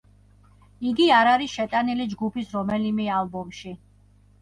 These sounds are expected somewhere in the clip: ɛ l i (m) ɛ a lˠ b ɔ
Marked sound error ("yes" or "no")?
no